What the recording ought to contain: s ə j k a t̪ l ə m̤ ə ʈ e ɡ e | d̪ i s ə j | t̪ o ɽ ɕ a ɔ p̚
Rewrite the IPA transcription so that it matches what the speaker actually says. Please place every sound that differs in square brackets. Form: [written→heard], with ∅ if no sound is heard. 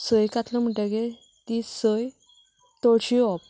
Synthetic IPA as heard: s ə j k a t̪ l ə m̤ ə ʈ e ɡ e | [d̪→t̪] i s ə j | t̪ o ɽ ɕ [a→i] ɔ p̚

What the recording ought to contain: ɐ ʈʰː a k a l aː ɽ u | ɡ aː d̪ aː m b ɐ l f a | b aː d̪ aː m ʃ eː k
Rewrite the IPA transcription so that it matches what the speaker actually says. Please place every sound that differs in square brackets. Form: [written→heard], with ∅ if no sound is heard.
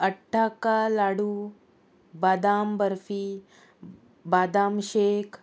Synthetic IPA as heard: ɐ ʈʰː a k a l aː ɽ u | [ɡ→b] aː d̪ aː m b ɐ [l→ɾ] f [a→i] | b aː d̪ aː m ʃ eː k

